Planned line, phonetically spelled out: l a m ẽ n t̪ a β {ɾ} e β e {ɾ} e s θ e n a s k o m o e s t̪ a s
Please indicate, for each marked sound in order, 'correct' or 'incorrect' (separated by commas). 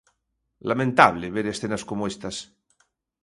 incorrect, correct